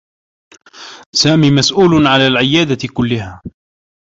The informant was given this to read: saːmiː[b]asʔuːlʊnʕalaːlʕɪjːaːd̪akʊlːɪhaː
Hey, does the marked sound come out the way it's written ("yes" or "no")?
no